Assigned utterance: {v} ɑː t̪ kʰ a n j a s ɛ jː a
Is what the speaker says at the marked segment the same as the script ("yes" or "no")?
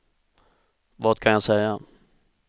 yes